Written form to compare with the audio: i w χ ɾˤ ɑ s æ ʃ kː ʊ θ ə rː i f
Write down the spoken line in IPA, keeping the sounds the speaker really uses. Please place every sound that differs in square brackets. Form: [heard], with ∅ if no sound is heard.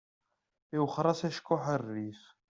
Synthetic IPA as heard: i w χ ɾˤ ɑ s æ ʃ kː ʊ [ħ] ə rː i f